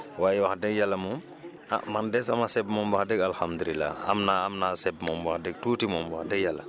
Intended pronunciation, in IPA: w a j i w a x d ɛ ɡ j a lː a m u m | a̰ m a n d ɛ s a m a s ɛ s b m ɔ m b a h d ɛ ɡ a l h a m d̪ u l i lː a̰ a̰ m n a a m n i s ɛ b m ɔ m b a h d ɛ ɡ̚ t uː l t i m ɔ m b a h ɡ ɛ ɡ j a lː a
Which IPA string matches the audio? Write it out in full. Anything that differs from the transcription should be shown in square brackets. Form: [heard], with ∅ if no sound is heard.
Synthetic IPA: w a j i w a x d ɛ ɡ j a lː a m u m | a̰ m a n d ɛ s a m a s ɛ [∅] b m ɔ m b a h d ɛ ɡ a l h a m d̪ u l i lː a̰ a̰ m n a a m n [a] s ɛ b m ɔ m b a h d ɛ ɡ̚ t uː [∅] t i m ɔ m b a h [d] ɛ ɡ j a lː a